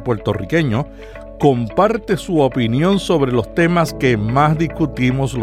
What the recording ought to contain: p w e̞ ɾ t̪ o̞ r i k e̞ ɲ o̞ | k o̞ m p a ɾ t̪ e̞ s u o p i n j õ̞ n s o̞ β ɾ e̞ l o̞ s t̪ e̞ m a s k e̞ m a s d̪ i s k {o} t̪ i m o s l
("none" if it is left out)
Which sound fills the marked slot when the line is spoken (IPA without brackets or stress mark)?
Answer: u